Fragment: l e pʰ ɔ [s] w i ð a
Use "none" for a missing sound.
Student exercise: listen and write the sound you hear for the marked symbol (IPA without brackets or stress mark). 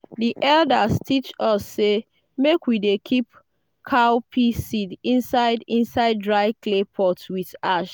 t